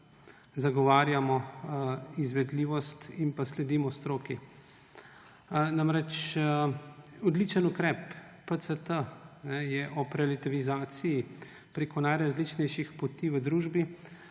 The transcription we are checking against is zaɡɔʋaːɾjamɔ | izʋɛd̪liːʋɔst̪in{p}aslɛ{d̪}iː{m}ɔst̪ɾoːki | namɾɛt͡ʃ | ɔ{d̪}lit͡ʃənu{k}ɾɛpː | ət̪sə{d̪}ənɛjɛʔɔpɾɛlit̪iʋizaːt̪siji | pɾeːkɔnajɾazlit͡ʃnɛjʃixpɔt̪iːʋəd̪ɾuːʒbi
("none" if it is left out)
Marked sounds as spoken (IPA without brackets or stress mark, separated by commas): p, d̪, m, d̪, k, t̪